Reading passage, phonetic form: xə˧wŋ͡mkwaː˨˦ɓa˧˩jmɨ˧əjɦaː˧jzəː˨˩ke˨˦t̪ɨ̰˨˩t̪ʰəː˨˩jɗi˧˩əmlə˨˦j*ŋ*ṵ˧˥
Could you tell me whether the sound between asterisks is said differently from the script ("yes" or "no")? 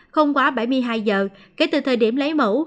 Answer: yes